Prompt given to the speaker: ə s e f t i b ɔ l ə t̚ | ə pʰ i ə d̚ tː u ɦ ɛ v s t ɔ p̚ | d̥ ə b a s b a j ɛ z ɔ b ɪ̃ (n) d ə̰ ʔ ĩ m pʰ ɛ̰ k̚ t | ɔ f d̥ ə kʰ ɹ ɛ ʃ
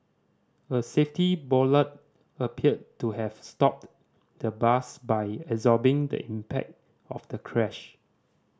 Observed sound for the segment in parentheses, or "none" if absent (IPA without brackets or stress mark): ŋ